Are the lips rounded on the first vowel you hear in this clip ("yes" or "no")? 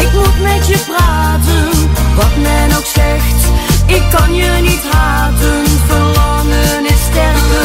no